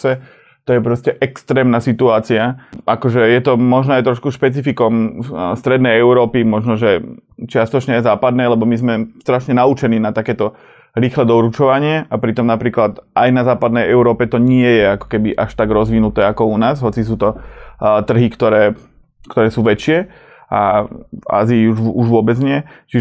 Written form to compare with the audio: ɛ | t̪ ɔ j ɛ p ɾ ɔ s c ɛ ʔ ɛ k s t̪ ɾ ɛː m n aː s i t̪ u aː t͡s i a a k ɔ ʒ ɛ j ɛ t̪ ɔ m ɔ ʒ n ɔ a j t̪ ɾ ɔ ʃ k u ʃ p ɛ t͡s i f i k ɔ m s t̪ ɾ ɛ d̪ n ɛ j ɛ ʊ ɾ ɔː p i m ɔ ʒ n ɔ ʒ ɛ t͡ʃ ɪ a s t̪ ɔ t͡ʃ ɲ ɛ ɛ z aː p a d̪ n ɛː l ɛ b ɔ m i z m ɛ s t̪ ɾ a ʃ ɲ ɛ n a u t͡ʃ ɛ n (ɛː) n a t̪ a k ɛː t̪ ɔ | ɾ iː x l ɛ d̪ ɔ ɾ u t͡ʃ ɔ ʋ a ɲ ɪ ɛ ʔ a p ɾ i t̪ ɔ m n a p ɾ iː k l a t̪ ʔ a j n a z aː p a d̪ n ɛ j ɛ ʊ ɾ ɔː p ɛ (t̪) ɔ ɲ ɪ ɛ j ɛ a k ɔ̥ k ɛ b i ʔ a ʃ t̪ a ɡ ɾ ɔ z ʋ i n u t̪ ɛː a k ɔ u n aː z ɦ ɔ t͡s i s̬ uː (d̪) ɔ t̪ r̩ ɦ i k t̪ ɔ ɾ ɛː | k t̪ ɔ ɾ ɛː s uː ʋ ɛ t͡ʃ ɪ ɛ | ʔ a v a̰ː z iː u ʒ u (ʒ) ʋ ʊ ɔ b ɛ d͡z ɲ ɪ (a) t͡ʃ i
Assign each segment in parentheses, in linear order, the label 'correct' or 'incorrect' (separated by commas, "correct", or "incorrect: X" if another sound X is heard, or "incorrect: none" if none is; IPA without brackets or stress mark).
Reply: incorrect: iː, correct, incorrect: t̪, correct, incorrect: ɛ